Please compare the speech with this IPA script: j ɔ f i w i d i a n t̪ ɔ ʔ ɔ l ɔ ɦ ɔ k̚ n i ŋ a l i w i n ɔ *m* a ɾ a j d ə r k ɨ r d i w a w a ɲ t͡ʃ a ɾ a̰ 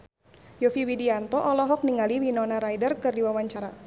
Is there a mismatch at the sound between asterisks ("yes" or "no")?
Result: yes